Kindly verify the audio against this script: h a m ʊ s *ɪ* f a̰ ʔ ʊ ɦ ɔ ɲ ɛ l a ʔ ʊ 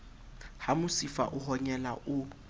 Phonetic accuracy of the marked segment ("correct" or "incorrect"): incorrect